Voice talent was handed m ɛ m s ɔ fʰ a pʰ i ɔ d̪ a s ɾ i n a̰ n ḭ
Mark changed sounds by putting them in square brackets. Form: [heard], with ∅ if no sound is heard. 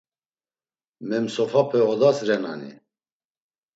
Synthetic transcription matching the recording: m ɛ m s ɔ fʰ a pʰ [ɛ] ɔ d̪ a s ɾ [ɛ] n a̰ n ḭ